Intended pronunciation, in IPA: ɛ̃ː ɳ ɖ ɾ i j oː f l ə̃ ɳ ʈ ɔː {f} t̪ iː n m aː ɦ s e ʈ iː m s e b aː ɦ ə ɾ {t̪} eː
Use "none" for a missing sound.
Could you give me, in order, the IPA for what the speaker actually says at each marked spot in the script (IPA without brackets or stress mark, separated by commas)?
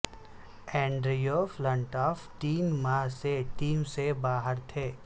f, t̪ʰ